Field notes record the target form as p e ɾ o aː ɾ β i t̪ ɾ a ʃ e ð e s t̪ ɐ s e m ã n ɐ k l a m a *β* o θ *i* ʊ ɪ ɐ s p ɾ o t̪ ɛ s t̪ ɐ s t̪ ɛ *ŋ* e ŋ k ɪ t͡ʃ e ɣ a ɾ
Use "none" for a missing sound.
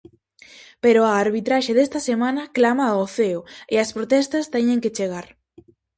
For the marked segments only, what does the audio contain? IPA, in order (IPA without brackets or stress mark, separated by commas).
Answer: none, e, ɲ